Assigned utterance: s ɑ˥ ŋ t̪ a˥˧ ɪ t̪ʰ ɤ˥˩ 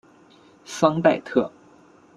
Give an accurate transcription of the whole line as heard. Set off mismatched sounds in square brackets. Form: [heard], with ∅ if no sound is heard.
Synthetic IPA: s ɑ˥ ŋ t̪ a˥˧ ɪ t̪ʰ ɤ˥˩

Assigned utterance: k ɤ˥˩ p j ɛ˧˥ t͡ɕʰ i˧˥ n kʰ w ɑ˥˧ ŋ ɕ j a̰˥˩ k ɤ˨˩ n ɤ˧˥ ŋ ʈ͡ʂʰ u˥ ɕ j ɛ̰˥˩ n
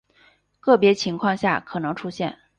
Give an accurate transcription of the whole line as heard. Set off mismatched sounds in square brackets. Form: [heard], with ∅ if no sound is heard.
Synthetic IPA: k ɤ˥˩ p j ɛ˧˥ t͡ɕʰ i˧˥ [ŋ] kʰ w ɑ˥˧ ŋ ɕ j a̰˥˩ [kʰ] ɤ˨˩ n ɤ˧˥ ŋ ʈ͡ʂʰ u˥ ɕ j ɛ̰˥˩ n

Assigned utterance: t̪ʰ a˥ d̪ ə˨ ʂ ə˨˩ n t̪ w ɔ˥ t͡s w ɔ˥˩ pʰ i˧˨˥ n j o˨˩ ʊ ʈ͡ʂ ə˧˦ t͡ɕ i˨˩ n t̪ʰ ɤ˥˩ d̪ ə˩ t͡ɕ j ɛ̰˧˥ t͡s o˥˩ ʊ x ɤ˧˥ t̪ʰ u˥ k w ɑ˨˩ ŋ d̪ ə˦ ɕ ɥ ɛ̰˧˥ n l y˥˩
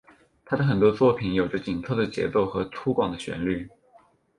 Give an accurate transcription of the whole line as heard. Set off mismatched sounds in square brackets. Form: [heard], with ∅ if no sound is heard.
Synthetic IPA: t̪ʰ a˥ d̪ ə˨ [x] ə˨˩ n t̪ w ɔ˥ t͡s w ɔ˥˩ pʰ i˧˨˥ n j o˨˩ ʊ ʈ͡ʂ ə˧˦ t͡ɕ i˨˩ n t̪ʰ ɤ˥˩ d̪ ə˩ t͡ɕ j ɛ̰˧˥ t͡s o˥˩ ʊ x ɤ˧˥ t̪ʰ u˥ k w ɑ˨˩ ŋ d̪ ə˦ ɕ ɥ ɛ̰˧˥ n l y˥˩

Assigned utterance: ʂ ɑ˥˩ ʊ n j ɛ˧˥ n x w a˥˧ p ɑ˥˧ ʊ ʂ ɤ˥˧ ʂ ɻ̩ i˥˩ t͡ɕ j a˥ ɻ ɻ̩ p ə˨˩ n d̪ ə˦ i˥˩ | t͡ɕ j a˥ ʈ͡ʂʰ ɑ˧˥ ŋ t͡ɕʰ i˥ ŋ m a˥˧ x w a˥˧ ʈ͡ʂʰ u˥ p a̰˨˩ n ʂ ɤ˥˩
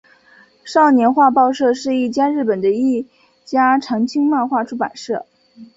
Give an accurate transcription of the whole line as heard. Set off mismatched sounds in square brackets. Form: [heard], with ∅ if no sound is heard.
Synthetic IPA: ʂ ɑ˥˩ ʊ n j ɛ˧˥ n x w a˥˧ p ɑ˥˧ ʊ ʂ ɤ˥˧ ʂ ɻ̩ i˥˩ t͡ɕ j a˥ ɻ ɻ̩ p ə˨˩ n d̪ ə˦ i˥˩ | t͡ɕ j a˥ ʈ͡ʂʰ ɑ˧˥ ŋ t͡ɕʰ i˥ ŋ m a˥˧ x w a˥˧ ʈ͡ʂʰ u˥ p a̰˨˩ n ʂ ɤ˥˩

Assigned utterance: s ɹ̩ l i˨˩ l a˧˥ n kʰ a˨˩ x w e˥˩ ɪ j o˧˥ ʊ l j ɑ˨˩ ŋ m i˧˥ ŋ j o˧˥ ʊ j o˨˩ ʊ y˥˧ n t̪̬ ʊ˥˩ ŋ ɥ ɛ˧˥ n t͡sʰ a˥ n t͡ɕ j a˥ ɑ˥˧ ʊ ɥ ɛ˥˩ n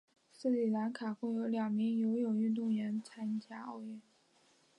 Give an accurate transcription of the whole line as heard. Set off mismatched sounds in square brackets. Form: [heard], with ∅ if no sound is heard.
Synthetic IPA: s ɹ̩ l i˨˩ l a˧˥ n kʰ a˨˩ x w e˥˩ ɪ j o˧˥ ʊ l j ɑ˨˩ ŋ m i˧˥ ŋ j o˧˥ ʊ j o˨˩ ʊ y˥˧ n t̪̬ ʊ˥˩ ŋ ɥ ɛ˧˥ n t͡sʰ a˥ n t͡ɕ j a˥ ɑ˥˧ ʊ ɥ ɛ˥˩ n

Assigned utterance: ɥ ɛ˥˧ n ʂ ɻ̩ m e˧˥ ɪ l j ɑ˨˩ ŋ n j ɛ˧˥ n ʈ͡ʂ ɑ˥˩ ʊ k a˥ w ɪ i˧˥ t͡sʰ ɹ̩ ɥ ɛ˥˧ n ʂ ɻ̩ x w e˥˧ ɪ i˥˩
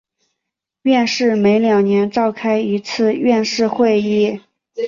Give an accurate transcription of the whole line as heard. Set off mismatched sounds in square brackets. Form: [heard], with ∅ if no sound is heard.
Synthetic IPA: ɥ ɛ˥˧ n ʂ ɻ̩ m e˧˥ ɪ l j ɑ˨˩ ŋ n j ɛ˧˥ n ʈ͡ʂ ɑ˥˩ ʊ [kʰ] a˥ [∅] ɪ i˧˥ t͡sʰ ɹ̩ ɥ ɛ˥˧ n ʂ ɻ̩ x w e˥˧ ɪ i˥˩

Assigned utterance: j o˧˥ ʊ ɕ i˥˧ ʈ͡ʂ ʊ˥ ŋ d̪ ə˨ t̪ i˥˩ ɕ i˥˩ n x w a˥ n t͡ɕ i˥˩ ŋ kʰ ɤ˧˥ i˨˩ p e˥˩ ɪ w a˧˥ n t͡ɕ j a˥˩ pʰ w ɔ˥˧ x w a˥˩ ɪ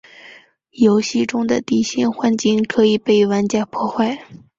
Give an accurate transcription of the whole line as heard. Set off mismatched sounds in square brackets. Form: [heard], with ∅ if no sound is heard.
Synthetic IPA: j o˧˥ ʊ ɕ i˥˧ ʈ͡ʂ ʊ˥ ŋ d̪ ə˨ t̪ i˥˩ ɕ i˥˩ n x w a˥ n t͡ɕ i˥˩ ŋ kʰ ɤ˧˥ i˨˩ p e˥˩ ɪ w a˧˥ n t͡ɕ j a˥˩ pʰ w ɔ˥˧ x w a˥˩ ɪ

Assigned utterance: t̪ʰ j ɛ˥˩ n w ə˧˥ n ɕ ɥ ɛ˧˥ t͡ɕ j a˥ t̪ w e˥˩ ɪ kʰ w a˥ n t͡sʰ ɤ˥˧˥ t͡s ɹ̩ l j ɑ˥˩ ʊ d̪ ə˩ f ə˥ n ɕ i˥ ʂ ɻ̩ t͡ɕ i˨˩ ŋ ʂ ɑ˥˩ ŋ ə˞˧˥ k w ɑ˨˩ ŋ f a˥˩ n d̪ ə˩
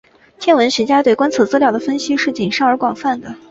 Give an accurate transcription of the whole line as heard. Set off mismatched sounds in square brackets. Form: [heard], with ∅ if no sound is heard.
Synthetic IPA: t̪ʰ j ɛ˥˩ n w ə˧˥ n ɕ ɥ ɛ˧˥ t͡ɕ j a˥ t̪ w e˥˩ ɪ [k] w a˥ n t͡sʰ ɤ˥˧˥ t͡s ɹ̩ l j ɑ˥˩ ʊ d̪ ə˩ f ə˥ n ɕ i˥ ʂ ɻ̩ t͡ɕ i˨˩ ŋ ʂ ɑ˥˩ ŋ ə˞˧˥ k w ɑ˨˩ ŋ f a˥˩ n d̪ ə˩

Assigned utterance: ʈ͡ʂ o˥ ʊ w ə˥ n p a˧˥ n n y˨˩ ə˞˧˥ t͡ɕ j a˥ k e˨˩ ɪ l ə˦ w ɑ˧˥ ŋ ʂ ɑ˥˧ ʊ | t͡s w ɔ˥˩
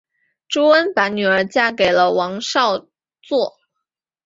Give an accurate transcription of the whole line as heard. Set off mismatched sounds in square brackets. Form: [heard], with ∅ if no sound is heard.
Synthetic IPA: ʈ͡ʂ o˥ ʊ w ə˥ n p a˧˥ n n y˨˩ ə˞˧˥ t͡ɕ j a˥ k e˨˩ ɪ l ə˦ w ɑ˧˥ ŋ ʂ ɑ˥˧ ʊ | t͡s w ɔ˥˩

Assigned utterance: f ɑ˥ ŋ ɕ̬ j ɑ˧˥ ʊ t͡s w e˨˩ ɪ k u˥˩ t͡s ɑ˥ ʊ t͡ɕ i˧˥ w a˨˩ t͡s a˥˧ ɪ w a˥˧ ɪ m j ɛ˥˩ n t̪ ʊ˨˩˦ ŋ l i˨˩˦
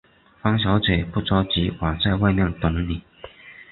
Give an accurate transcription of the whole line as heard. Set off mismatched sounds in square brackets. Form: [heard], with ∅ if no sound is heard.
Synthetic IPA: f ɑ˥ ŋ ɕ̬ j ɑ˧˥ ʊ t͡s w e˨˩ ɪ [p] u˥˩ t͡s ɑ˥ ʊ t͡ɕ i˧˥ w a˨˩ t͡s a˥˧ ɪ w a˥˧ ɪ m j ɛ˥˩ n t̪ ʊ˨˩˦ ŋ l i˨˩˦

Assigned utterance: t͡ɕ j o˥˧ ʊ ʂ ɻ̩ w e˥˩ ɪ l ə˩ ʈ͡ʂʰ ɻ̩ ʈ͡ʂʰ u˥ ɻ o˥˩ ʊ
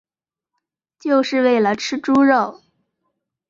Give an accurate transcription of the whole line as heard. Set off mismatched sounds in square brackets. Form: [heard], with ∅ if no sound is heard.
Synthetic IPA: t͡ɕ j o˥˧ ʊ ʂ ɻ̩ w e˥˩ ɪ l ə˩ ʈ͡ʂʰ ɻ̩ [ʈ͡ʂ] u˥ ɻ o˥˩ ʊ

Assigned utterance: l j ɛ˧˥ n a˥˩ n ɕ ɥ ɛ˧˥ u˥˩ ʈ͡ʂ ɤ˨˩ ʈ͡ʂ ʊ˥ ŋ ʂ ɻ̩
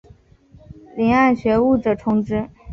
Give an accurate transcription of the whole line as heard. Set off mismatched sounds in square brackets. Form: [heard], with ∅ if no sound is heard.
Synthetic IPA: l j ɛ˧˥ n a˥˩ n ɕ ɥ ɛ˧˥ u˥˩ ʈ͡ʂ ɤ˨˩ [ʈ͡ʂʰ] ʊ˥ ŋ [ʈ͡ʂ] ɻ̩

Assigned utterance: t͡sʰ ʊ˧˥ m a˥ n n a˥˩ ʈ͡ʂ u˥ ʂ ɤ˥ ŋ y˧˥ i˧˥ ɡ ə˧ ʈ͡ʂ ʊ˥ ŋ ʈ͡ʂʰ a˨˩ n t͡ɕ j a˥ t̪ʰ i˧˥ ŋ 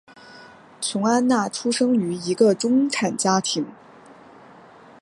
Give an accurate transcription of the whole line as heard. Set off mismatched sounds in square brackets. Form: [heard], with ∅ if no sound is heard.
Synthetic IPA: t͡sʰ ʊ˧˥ [ŋ] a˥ n n a˥˩ [ʈ͡ʂʰ] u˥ ʂ ɤ˥ ŋ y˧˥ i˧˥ ɡ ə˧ ʈ͡ʂ ʊ˥ ŋ ʈ͡ʂʰ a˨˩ n t͡ɕ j a˥ t̪ʰ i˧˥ ŋ

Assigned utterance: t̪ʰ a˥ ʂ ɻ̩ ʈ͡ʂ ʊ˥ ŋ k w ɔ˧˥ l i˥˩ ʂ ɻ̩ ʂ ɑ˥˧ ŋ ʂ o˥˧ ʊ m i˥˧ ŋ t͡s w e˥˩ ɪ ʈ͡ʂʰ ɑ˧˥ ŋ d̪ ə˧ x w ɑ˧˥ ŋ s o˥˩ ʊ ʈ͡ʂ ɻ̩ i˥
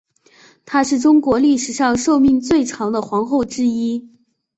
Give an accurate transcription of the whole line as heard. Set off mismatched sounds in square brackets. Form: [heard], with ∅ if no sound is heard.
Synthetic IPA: t̪ʰ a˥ ʂ ɻ̩ ʈ͡ʂ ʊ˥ ŋ k w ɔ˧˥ l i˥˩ ʂ ɻ̩ ʂ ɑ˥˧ ŋ ʂ o˥˧ ʊ m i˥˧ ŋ t͡s w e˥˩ ɪ ʈ͡ʂʰ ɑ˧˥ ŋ d̪ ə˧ x w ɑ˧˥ ŋ [x] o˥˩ ʊ ʈ͡ʂ ɻ̩ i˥

